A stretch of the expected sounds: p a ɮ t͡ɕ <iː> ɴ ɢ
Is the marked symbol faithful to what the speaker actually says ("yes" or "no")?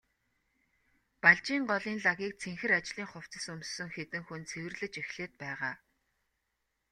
yes